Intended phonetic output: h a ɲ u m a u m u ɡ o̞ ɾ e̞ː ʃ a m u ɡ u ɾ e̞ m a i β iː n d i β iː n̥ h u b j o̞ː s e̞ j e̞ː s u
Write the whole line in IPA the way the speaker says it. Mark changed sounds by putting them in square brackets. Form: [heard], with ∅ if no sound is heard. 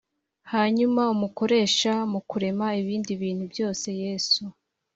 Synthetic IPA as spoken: h a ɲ u m a u m u [k] o̞ ɾ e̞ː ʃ a m u [k] u ɾ e̞ m a i β iː n d i β iː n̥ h u b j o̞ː s e̞ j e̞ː s u